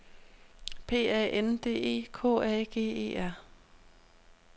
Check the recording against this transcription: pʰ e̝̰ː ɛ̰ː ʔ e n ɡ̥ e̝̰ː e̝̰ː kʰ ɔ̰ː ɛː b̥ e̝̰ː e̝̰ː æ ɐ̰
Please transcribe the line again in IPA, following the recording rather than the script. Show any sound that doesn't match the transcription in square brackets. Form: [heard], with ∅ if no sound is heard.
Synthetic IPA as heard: pʰ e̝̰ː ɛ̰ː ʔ e n [d̥] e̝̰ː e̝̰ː kʰ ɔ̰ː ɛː [ɡ̥] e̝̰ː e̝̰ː æ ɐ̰